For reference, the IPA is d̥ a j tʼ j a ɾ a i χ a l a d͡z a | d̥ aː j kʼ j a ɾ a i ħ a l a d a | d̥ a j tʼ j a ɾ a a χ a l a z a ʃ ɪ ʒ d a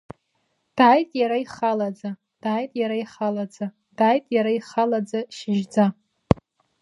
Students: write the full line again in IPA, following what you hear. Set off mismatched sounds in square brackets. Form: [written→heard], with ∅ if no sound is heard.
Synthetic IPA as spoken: d̥ a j tʼ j a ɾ a i χ a l a d͡z a | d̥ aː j [kʼ→tʼ] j a ɾ a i [ħ→χ] a l a [d→d͡z] a | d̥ a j tʼ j a ɾ a [a→i] χ a l a [z→d͡z] a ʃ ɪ ʒ [d→d͡z] a